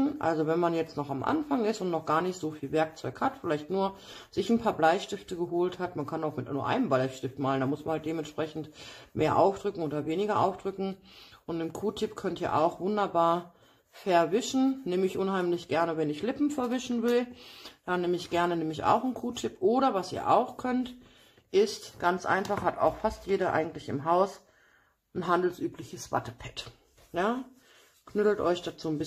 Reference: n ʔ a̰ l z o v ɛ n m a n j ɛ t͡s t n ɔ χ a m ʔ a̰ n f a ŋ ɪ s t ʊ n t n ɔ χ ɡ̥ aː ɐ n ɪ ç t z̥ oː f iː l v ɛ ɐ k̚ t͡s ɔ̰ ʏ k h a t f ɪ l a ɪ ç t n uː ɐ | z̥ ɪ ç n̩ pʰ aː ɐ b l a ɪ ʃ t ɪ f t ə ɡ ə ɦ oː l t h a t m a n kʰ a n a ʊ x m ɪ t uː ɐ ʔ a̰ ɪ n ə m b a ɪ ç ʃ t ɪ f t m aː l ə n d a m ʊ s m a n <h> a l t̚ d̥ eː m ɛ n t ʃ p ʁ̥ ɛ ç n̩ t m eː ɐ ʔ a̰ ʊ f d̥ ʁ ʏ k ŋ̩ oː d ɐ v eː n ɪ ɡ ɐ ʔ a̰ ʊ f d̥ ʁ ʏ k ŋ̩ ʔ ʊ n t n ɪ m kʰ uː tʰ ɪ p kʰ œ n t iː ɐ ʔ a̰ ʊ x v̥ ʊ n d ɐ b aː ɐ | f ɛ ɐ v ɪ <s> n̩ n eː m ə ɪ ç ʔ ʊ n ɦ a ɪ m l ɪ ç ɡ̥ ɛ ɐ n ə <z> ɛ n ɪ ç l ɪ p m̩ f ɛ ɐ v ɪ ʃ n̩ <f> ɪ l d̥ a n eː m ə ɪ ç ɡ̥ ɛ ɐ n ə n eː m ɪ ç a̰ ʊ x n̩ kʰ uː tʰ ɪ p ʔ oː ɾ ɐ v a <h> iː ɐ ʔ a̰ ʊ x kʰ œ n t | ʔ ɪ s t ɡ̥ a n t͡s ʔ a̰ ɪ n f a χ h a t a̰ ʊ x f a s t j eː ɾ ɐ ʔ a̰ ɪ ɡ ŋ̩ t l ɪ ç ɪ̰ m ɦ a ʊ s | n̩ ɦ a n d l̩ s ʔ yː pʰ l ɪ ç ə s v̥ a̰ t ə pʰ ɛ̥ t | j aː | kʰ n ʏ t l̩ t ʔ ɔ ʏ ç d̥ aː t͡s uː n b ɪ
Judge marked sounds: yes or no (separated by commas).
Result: yes, no, no, no, no